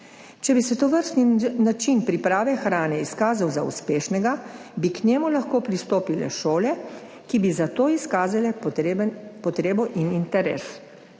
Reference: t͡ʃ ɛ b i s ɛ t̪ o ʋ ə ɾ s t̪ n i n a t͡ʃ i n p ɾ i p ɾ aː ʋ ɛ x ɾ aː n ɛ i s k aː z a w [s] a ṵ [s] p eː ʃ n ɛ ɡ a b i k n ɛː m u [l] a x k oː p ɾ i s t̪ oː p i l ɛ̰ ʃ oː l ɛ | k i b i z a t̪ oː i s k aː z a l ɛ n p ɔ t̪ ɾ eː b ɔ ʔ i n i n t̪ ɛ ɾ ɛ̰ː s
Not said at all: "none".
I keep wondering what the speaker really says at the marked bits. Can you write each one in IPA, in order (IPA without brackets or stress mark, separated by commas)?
z, s, l